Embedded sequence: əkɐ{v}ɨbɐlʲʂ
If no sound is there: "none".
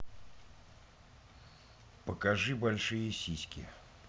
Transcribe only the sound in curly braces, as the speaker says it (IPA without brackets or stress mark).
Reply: ʐ